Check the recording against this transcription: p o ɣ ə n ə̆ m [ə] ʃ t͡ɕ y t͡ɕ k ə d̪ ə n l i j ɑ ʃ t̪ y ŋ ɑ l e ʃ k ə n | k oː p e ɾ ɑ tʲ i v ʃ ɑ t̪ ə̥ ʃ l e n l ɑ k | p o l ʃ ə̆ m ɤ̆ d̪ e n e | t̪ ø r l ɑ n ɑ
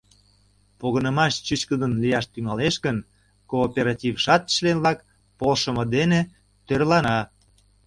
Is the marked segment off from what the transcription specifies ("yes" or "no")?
yes